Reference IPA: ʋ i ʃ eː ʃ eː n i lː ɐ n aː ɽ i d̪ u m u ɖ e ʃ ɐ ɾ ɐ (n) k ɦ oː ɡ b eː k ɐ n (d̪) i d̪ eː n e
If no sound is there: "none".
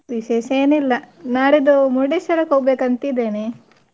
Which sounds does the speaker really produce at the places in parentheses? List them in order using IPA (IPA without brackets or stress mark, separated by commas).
none, t̪